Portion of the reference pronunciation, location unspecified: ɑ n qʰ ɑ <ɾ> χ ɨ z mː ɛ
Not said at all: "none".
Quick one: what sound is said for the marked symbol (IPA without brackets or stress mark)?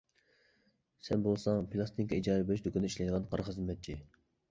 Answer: ɾ